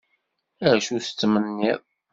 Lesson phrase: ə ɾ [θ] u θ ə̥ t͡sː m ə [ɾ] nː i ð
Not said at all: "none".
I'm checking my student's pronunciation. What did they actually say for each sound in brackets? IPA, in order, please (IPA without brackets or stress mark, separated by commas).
ʃ, none